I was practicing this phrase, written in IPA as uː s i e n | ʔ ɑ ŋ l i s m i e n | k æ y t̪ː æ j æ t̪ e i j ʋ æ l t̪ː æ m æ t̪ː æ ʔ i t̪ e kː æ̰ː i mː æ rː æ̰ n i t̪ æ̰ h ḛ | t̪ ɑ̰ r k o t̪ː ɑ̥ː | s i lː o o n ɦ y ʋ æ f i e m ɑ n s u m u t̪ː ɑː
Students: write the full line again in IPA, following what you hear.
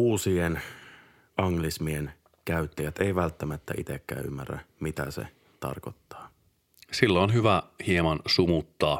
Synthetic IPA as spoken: uː s i e n | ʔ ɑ ŋ l i s m i e n | k æ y t̪ː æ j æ t̪ e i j ʋ æ l t̪ː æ m æ t̪ː æ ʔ i t̪ e kː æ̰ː y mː æ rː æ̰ m i t̪ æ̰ s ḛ | t̪ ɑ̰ r k o t̪ː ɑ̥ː | s i lː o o n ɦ y ʋ æ h i e m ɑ n s u m u t̪ː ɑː